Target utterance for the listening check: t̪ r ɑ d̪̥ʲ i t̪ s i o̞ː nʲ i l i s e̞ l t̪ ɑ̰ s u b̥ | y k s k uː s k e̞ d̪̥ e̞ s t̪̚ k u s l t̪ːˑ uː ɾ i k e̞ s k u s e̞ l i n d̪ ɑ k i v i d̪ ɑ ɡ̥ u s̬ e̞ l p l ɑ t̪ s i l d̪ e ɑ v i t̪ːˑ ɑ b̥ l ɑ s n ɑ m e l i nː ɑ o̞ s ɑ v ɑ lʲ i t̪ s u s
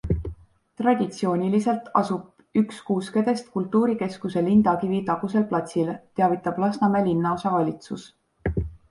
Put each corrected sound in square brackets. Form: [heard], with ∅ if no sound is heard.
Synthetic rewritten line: t̪ r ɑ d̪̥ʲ i t̪ s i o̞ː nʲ i l i s e̞ l t̪ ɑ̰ s u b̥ | y k s k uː s k e̞ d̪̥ e̞ s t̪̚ k u [∅] l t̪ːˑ uː ɾ i k e̞ s k u s e̞ l i n d̪ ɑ k i v i [t̪] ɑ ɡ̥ u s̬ e̞ l p l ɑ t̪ s i l [t̪] e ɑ v i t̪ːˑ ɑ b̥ l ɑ s n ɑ m e l i nː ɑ o̞ s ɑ v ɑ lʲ i t̪ s u s